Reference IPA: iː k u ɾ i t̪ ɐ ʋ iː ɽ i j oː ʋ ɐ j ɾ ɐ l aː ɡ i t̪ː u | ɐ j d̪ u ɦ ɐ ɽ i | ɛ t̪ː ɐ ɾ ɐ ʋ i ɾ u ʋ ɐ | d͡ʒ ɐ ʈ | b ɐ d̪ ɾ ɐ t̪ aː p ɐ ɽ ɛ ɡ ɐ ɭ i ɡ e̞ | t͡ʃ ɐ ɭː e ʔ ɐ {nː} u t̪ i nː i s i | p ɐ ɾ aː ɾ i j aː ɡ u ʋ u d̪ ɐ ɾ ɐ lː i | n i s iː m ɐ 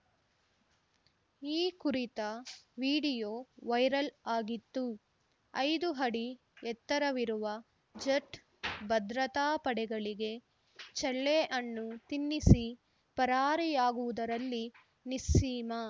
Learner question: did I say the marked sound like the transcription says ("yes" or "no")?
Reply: yes